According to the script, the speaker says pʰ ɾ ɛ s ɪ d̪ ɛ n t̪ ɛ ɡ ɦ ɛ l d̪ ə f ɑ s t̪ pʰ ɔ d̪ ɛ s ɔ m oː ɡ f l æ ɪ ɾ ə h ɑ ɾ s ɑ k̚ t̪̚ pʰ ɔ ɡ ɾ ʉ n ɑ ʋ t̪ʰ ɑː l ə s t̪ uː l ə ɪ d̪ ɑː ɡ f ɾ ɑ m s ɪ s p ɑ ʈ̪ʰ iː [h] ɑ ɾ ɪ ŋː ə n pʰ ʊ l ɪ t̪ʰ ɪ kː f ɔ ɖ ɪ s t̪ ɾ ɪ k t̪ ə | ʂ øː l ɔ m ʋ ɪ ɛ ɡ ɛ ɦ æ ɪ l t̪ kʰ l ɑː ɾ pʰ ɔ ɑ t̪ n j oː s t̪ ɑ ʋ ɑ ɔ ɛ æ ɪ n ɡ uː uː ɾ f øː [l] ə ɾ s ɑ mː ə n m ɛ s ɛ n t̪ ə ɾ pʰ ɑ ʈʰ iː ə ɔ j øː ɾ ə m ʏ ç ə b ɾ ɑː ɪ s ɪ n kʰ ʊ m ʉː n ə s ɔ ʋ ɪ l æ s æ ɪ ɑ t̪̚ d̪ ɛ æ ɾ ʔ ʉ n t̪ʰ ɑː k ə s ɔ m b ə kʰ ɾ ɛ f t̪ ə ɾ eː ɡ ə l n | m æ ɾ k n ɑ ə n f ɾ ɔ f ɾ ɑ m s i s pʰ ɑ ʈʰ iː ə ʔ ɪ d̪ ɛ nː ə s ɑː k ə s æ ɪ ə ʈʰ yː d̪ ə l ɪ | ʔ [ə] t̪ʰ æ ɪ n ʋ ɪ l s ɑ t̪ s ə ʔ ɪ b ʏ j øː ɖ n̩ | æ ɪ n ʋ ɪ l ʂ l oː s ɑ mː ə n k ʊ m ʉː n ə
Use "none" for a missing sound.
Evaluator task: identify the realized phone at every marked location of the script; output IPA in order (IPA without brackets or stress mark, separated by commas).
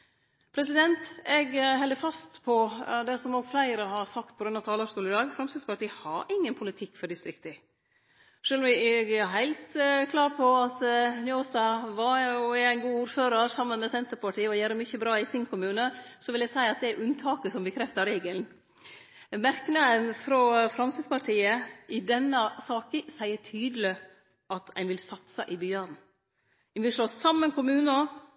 h, ɾ, ɑ